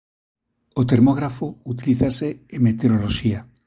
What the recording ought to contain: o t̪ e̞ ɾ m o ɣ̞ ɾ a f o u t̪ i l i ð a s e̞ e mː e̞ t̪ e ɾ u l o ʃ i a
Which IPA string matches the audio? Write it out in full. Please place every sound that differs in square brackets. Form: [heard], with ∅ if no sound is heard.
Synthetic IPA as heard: o t̪ e̞ ɾ m o ɣ̞ ɾ a f o u t̪ i l i [θ] a s e̞ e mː e̞ t̪ e ɾ [o] l o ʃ i a